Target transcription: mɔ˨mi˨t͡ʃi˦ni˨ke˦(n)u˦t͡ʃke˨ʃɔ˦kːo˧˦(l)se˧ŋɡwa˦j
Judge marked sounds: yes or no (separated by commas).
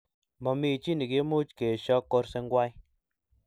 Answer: no, no